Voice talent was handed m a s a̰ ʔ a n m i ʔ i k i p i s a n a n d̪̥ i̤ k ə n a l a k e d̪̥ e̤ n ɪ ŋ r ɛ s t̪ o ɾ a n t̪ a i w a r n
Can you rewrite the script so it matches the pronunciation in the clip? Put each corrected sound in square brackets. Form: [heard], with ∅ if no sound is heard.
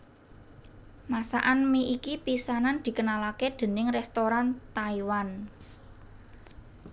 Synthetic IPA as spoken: m a s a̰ ʔ a n m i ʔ i k i p i s a n a n d̪̥ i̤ k ə n a l a k e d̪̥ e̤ n ɪ ŋ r ɛ s t̪ o ɾ a n t̪ a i w a [∅] n